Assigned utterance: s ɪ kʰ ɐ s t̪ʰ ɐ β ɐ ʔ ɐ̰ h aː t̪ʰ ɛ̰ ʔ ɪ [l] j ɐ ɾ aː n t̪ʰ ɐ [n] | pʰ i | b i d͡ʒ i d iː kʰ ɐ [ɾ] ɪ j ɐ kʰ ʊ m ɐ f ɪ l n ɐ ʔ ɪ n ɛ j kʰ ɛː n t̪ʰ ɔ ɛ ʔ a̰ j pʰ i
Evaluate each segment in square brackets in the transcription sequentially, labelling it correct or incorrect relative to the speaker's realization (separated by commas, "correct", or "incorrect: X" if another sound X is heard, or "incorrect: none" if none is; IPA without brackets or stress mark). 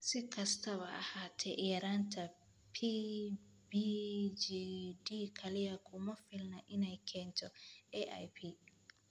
incorrect: none, incorrect: none, incorrect: l